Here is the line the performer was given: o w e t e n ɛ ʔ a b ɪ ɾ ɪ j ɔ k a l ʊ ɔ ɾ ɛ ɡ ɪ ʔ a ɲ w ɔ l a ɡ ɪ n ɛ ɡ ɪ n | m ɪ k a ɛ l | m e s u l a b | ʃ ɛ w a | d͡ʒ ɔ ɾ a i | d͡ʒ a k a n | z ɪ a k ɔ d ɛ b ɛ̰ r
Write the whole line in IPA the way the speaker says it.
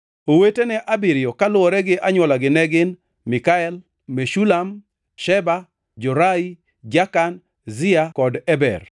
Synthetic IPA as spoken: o w e t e n ɛ ʔ a b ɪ ɾ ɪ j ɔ k a l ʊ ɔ ɾ ɛ ɡ ɪ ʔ a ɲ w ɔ l a ɡ ɪ n ɛ ɡ ɪ n | m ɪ k a ɛ l | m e ʃ u l a m | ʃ ɛ b a | d͡ʒ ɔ ɾ a i | d͡ʒ a k a n | z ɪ a k ɔ d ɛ b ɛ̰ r